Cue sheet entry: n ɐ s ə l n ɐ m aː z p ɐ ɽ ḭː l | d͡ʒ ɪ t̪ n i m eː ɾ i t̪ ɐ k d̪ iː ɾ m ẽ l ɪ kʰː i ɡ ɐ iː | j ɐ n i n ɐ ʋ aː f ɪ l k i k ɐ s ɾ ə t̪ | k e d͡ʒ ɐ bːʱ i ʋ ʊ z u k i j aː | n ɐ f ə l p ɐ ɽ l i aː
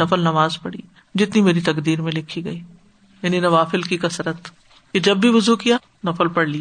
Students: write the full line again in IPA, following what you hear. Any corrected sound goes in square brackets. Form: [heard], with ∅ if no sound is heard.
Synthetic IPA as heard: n ɐ [f] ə l n ɐ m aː z p ɐ ɽ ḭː [∅] | d͡ʒ ɪ t̪ n i m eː ɾ i t̪ ɐ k d̪ iː ɾ m ẽ l ɪ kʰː i ɡ ɐ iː | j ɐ n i n ɐ ʋ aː f ɪ l k i k ɐ s ɾ ə t̪ | k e d͡ʒ ɐ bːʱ i ʋ ʊ z u k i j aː | n ɐ f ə l p ɐ ɽ l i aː